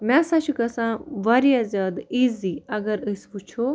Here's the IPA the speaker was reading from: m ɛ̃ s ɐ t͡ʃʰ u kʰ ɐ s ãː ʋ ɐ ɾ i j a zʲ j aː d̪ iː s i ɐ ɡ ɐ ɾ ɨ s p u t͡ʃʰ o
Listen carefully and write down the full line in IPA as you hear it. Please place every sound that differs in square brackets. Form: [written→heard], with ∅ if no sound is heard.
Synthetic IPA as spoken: m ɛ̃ s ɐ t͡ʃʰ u [kʰ→k] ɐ s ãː ʋ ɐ ɾ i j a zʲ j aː d̪ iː [s→z] i ɐ ɡ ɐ ɾ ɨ s p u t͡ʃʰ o